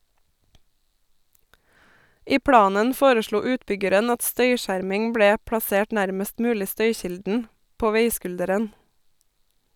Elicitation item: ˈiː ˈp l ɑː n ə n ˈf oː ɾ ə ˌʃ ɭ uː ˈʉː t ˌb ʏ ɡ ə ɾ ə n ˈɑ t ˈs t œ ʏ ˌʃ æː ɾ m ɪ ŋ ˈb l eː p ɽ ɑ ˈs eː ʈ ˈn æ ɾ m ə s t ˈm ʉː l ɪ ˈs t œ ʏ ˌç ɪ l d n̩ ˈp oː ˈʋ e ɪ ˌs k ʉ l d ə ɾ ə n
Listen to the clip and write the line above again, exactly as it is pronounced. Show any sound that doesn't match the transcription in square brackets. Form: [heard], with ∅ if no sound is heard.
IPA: ˈiː ˈp [ɽ] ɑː n ə n ˈf oː ɾ ə ˌʃ ɭ uː ˈʉː t ˌb ʏ ɡ ə ɾ ə n ˈɑ t ˈs t œ ʏ ˌʃ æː ɾ m ɪ ŋ ˈb [ɽ] eː p ɽ ɑ ˈs eː ʈ ˈn æ ɾ m ə s t ˈm ʉː l ɪ ˈs t œ ʏ ˌç ɪ l d n̩ ˈp oː ˈʋ e ɪ ˌs k ʉ l d ə ɾ ə n

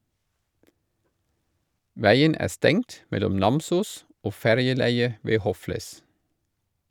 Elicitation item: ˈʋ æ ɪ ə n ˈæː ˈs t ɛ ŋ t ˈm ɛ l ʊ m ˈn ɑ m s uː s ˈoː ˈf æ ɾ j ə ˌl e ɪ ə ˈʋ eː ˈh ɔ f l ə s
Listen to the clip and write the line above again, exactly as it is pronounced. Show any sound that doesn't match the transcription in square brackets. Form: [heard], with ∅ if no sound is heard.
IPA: ˈʋ æ ɪ ə n ˈæː ˈs t ɛ ŋ t ˈm ɛ l ʊ m ˈn ɑ m s uː s ˈoː ˈf æ ɾ j ə ˌl [æ] ɪ ə ˈʋ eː ˈh ɔ f l ə s

